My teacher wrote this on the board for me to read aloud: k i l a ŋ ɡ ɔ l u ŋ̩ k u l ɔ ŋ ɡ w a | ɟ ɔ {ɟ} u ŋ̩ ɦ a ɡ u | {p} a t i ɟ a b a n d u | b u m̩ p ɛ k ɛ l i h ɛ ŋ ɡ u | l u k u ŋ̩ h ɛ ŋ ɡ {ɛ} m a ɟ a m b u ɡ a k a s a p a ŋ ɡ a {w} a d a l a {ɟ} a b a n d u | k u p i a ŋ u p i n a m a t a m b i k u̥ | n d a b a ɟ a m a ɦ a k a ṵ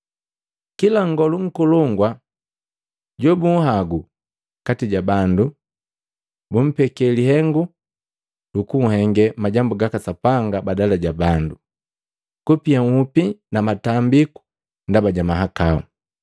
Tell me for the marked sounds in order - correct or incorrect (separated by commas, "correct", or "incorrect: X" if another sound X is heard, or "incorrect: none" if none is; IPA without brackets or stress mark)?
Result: incorrect: b, incorrect: k, correct, incorrect: b, correct